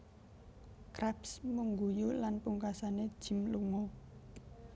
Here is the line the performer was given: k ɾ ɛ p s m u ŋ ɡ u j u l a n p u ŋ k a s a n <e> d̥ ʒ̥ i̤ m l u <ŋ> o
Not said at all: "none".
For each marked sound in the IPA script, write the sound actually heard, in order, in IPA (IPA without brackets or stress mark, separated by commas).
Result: e, ŋ